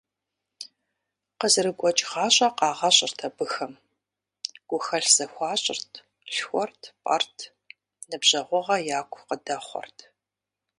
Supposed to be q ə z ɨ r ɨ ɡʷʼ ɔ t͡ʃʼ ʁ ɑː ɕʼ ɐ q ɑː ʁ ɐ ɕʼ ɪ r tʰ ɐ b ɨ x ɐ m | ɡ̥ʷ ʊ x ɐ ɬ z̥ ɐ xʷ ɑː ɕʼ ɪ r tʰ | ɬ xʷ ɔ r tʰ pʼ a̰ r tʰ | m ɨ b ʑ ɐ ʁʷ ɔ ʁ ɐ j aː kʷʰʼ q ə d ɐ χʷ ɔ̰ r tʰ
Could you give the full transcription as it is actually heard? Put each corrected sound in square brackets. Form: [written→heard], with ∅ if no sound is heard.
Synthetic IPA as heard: q ə z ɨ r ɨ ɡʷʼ ɔ t͡ʃʼ ʁ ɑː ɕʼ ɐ q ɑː ʁ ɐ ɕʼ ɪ r tʰ ɐ b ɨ x ɐ m | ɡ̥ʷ ʊ x ɐ ɬ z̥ ɐ xʷ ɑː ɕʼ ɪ r tʰ | ɬ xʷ ɔ r tʰ pʼ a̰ r tʰ | [m→n] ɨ b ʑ ɐ ʁʷ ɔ ʁ ɐ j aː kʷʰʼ q ə d ɐ χʷ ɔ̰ r tʰ